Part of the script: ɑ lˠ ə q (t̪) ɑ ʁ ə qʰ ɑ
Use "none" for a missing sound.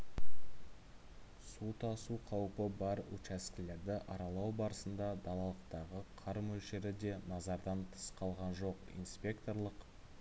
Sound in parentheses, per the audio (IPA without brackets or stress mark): t̪